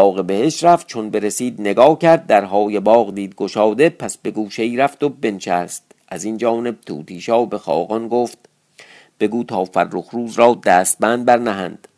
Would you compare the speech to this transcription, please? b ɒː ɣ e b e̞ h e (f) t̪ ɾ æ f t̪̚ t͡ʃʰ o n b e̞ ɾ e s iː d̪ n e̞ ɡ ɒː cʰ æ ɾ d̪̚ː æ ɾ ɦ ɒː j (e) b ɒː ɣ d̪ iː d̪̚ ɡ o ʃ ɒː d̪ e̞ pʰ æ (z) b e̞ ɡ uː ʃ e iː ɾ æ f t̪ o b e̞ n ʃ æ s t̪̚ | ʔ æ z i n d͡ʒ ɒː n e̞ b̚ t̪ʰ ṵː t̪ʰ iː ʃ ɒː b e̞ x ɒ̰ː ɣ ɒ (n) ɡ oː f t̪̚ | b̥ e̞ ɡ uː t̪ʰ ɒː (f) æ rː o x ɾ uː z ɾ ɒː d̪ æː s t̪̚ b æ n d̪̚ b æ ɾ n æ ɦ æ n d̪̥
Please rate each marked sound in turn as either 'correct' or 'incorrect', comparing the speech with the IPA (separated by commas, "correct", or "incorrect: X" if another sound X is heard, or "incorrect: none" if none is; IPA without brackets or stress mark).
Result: incorrect: ʃ, correct, incorrect: s, correct, correct